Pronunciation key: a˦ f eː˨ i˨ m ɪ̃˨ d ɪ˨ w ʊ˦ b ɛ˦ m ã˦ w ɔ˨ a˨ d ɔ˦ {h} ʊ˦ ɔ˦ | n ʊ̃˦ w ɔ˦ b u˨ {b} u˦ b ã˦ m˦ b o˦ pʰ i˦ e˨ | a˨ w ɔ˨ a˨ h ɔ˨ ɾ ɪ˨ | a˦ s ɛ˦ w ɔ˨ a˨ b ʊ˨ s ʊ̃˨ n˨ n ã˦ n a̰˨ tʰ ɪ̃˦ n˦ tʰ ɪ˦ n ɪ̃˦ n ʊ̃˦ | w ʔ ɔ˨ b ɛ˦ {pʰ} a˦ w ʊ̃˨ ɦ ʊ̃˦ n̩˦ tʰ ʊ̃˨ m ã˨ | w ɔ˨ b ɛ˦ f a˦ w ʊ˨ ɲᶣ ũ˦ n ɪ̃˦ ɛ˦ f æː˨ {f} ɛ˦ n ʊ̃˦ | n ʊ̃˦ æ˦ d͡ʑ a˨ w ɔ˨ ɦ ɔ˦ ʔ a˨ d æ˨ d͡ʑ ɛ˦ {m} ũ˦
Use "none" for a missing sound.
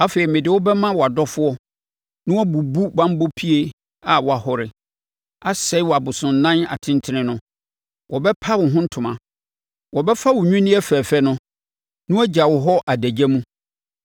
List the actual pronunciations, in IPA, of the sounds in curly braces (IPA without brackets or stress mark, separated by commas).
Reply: f, b, pʰ, f, m